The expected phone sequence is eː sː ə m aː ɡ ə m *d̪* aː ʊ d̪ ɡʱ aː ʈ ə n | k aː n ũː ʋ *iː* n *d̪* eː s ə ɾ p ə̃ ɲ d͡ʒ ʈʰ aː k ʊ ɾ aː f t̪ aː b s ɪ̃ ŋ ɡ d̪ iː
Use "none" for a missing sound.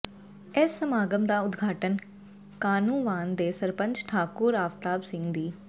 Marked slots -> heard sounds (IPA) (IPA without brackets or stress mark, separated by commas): d̪, aː, d̪